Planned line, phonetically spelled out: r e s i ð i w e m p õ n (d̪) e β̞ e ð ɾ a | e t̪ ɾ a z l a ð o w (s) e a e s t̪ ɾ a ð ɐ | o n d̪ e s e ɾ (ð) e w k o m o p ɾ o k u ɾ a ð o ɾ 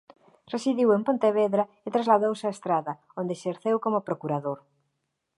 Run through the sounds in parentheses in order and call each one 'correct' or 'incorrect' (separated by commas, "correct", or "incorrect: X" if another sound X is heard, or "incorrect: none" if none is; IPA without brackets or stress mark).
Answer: incorrect: t̪, correct, incorrect: θ